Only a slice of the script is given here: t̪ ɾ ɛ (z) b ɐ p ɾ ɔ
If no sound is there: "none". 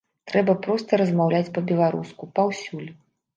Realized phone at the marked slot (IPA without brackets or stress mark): none